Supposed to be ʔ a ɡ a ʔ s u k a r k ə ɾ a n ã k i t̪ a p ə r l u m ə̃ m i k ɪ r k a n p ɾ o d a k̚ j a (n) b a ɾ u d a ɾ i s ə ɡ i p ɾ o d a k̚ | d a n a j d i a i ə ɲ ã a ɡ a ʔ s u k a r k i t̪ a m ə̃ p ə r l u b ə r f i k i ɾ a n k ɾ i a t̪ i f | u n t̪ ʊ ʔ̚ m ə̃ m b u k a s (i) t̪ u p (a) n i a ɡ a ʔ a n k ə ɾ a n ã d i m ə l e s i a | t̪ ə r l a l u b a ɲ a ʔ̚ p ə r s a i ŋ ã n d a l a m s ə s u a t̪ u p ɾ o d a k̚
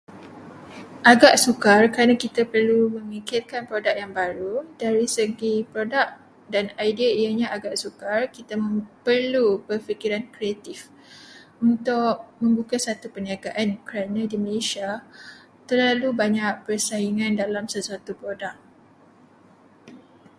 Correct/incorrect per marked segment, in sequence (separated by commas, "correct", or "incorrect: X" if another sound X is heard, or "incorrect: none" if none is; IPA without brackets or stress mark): incorrect: ŋ, incorrect: a, incorrect: ə